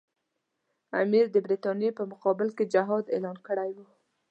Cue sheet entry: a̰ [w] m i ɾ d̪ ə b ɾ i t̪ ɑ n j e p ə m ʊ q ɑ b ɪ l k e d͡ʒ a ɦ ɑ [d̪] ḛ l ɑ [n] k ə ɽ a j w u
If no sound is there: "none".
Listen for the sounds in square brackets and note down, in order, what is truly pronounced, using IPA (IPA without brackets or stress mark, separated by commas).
none, d̪, n